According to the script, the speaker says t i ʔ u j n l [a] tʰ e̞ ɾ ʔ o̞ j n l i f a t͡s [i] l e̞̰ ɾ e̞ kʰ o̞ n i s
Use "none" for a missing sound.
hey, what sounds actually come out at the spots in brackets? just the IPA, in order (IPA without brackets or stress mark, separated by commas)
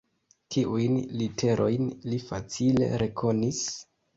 i, i